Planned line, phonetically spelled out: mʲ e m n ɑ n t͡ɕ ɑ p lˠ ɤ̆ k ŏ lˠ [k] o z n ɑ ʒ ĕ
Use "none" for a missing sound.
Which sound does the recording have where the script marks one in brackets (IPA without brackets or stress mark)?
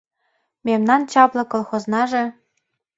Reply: x